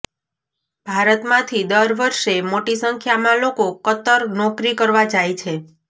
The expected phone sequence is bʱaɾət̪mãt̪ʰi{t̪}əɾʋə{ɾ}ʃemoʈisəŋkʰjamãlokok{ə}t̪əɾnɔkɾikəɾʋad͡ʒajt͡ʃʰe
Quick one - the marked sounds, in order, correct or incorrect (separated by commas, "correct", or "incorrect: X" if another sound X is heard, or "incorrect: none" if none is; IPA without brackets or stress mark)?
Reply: incorrect: d̪, correct, correct